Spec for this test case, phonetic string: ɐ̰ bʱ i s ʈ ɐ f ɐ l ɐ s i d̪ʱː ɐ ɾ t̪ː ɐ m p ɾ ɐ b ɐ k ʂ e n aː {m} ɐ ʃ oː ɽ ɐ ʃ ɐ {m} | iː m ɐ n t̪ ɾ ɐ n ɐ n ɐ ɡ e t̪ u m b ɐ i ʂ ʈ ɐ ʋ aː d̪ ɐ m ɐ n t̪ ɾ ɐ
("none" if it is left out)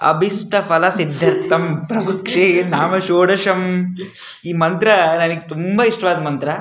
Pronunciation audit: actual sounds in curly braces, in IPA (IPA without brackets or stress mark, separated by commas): m, m